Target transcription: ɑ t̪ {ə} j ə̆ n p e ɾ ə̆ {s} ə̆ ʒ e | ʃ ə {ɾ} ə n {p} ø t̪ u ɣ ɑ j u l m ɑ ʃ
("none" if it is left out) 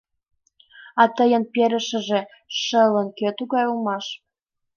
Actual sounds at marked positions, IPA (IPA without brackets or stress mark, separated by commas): ə, ʃ, l, k